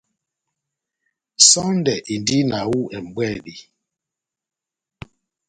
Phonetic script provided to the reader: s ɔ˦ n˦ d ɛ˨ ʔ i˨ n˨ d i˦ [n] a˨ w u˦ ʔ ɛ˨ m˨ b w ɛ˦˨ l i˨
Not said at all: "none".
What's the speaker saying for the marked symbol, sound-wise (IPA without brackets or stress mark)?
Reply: n